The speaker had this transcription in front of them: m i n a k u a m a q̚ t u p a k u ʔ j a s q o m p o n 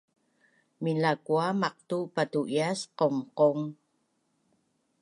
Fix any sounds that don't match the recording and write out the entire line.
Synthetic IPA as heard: m i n a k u a m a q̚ t u p a t u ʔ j a s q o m q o ŋ